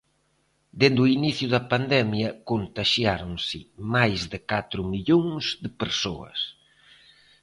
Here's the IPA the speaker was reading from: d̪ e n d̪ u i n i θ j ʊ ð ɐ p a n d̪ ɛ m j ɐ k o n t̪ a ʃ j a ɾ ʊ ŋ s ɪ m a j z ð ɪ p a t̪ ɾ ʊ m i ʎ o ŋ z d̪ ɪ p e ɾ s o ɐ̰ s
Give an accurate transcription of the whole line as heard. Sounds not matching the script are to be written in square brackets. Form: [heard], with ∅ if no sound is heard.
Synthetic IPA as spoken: d̪ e n d̪ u i n i θ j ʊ ð ɐ p a n d̪ ɛ m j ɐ k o n t̪ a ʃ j a ɾ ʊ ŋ s ɪ m a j z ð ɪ [k] a t̪ ɾ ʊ m i ʎ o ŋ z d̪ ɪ p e ɾ s o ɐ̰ s